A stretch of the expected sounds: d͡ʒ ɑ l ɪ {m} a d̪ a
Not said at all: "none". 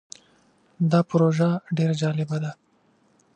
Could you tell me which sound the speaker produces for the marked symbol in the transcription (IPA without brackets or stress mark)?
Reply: b